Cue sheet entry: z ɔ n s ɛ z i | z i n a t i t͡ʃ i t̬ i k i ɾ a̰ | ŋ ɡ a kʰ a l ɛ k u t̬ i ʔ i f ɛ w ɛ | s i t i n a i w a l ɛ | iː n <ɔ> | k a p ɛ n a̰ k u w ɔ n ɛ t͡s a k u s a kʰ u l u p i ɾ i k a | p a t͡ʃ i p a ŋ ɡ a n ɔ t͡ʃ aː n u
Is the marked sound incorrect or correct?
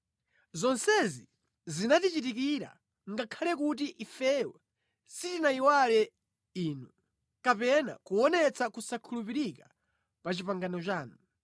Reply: incorrect